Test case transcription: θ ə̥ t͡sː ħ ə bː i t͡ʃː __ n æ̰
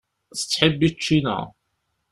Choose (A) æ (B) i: B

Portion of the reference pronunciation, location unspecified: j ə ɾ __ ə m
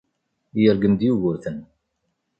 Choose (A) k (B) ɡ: B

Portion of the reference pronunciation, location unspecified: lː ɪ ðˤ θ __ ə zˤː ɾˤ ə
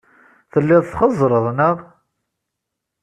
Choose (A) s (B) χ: B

